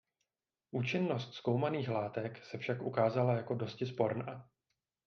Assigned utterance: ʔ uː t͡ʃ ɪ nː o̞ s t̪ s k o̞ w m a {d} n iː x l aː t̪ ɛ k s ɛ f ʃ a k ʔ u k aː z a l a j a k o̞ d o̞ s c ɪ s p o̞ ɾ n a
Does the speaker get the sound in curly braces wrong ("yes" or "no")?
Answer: yes